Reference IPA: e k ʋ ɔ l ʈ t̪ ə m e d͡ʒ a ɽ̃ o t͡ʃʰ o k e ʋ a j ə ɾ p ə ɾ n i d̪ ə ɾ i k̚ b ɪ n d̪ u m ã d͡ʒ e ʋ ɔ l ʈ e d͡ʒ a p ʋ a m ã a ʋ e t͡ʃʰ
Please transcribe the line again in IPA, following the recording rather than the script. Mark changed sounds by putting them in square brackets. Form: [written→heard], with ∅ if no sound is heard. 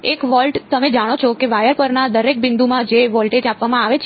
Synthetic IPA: e k ʋ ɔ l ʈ t̪ ə m e d͡ʒ a ɽ̃ o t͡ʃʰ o k e ʋ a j ə ɾ p ə ɾ n [i→a] d̪ ə ɾ [i→e] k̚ b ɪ n d̪ u m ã d͡ʒ e ʋ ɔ l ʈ e d͡ʒ a p ʋ a m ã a ʋ e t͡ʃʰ